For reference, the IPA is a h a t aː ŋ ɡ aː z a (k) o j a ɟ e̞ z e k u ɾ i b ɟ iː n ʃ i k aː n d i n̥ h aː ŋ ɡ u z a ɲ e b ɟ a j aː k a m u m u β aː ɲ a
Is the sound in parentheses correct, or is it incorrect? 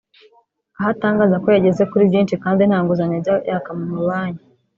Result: correct